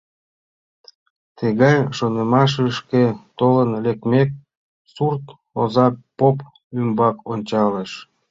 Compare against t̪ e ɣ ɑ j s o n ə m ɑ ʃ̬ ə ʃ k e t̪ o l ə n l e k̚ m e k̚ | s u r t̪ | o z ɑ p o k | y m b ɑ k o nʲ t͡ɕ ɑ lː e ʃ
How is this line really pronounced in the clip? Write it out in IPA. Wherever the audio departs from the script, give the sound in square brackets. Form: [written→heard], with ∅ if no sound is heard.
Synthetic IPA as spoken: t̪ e ɣ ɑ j [s→ʃ] o n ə m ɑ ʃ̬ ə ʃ k e t̪ o l ə n l e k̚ m e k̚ | s u r t̪ | o z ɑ p o [k→p] | y m b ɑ k o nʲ t͡ɕ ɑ [lː→l] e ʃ